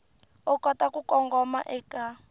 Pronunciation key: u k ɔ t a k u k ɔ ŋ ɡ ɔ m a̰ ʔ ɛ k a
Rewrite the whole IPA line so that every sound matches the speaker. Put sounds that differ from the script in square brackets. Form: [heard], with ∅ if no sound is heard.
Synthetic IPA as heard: [ɔ] k ɔ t a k u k ɔ ŋ ɡ ɔ m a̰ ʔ ɛ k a